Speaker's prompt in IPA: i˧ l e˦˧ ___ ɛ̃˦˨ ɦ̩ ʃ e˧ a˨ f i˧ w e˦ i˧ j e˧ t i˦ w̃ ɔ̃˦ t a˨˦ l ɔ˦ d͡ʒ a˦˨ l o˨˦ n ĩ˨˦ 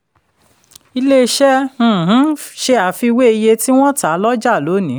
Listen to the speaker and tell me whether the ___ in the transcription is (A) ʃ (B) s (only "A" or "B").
A